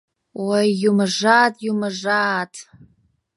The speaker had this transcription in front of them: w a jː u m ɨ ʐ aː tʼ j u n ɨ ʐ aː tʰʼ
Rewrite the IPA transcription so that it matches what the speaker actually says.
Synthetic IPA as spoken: w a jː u m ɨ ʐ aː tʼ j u m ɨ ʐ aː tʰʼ